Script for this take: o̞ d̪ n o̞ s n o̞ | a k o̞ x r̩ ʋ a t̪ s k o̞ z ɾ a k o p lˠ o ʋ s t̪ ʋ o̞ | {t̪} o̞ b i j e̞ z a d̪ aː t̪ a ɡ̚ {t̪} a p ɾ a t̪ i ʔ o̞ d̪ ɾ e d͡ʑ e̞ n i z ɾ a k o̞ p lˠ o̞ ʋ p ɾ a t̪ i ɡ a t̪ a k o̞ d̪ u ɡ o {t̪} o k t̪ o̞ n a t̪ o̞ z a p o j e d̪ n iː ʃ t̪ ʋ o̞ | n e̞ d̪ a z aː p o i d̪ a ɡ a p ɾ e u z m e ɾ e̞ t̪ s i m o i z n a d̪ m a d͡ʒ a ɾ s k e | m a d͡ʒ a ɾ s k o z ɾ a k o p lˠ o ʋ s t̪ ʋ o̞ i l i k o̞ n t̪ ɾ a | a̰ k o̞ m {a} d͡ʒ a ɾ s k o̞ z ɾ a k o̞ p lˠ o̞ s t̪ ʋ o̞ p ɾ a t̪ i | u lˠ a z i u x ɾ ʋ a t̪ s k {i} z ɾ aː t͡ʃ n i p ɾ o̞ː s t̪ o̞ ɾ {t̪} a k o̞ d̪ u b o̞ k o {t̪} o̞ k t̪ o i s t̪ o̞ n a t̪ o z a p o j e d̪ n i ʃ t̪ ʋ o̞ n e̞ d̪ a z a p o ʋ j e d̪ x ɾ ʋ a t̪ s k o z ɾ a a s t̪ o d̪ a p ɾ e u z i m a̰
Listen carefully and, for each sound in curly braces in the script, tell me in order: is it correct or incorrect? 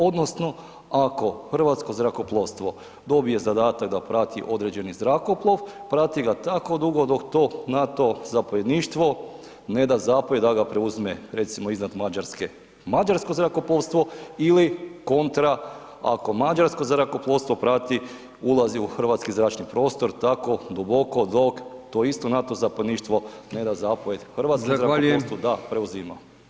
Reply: incorrect: d̪, incorrect: d̪, incorrect: d̪, correct, correct, correct, incorrect: d̪

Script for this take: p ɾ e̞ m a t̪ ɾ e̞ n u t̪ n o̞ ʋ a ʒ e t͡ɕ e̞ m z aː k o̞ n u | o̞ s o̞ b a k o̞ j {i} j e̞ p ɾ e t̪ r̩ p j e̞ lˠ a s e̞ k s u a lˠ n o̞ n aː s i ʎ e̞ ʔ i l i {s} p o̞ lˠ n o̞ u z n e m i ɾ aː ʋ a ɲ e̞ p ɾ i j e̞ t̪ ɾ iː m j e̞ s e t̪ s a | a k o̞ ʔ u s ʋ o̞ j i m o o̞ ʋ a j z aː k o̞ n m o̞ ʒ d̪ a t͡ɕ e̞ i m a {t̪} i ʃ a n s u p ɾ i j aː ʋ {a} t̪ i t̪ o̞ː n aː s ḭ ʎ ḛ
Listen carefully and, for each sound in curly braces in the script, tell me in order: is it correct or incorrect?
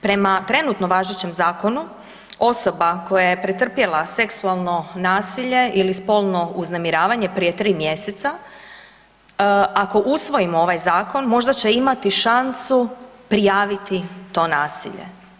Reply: incorrect: a, correct, correct, incorrect: i

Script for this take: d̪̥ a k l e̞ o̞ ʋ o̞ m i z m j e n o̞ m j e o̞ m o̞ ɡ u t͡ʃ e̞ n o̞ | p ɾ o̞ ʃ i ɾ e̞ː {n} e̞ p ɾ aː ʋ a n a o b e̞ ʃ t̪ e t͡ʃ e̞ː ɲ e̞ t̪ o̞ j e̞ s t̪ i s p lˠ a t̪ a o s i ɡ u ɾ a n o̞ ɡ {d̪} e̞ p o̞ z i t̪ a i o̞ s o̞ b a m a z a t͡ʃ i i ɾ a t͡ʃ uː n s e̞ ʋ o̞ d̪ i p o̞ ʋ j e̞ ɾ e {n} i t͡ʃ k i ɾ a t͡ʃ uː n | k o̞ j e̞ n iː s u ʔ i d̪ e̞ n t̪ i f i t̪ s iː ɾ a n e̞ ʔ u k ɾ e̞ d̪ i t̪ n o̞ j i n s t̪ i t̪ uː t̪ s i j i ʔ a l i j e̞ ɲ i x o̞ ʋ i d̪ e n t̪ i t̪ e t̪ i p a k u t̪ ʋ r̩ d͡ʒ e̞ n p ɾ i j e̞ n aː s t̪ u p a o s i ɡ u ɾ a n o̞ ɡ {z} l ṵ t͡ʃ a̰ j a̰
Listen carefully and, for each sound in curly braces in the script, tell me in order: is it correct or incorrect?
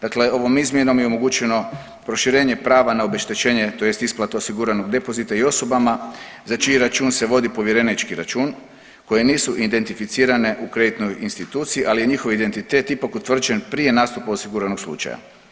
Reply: incorrect: ɲ, correct, correct, incorrect: s

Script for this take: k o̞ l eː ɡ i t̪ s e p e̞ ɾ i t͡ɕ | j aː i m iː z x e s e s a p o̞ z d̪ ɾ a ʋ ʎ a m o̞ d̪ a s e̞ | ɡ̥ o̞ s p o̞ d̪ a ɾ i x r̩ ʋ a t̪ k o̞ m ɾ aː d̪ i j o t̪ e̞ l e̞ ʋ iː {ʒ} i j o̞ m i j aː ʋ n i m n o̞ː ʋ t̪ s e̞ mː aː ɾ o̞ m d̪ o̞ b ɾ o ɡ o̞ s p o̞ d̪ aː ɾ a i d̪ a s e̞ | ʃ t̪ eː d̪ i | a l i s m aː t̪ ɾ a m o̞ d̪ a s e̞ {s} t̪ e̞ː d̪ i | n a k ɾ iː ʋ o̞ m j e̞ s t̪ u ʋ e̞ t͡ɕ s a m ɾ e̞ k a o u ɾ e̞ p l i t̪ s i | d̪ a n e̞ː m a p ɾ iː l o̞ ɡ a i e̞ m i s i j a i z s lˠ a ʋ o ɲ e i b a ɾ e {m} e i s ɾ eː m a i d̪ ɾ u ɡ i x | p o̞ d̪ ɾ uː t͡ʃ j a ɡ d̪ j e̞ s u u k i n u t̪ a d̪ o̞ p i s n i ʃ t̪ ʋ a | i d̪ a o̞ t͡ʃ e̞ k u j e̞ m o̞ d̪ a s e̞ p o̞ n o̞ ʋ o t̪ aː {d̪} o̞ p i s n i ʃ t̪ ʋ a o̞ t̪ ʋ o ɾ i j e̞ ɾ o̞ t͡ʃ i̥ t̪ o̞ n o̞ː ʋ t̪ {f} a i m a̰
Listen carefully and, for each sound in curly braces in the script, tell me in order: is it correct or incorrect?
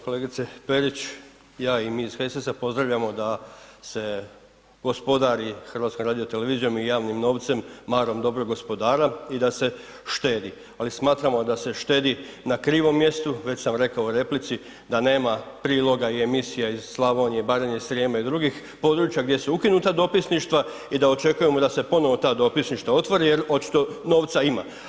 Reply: incorrect: z, incorrect: ʃ, incorrect: ɲ, correct, incorrect: s

